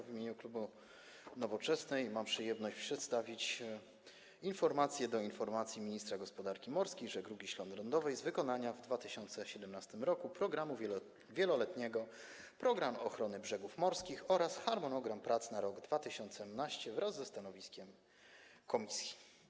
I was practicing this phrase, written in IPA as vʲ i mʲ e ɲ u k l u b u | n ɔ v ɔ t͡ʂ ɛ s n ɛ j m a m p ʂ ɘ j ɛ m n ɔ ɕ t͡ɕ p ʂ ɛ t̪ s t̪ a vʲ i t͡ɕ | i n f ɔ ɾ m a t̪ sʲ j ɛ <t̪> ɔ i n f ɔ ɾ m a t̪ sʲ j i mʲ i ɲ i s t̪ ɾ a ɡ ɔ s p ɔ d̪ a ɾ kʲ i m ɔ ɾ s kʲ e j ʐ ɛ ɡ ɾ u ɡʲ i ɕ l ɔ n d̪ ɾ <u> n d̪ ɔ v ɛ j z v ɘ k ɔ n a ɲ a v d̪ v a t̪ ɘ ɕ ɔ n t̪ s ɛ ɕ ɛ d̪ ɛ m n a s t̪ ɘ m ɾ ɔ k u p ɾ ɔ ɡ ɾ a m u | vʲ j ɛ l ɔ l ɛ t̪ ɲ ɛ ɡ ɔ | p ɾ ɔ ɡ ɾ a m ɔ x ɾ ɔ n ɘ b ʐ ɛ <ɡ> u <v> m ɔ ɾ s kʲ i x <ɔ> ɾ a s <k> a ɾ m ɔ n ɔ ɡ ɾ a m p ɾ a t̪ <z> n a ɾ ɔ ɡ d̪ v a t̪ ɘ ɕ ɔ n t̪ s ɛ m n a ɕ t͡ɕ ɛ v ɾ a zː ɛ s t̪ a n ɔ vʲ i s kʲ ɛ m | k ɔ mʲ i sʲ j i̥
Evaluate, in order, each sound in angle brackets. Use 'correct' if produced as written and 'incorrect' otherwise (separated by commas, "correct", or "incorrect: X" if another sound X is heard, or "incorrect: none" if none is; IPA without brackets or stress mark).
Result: incorrect: d̪, incorrect: ɔ, correct, incorrect: f, correct, incorrect: x, incorrect: s